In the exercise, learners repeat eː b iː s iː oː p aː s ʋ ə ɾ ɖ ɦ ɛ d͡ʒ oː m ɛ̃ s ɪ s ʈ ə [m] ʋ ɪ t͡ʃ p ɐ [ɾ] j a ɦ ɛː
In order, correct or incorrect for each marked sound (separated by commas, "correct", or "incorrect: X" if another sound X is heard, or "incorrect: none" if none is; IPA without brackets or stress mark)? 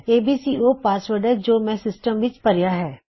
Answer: correct, correct